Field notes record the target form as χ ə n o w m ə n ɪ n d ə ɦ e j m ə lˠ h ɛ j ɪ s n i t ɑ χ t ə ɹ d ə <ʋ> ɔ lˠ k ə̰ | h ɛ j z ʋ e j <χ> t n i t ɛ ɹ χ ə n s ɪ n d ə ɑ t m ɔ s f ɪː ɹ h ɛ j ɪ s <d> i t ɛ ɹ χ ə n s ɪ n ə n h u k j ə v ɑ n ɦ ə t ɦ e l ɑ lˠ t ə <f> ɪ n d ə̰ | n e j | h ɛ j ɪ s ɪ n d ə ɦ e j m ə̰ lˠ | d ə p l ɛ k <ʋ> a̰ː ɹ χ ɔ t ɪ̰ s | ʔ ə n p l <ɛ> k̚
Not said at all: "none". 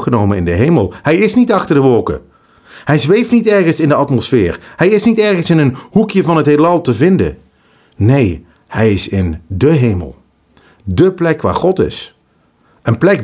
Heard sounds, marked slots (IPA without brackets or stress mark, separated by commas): ʋ, f, n, v, ʋ, ɛ